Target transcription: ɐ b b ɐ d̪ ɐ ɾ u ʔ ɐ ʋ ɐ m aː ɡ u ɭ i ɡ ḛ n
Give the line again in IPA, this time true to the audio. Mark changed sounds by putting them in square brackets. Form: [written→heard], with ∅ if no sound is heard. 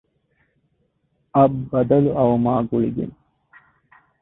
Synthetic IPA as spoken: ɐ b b ɐ d̪ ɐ [ɾ→l] u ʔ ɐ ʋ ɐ m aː ɡ u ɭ i ɡ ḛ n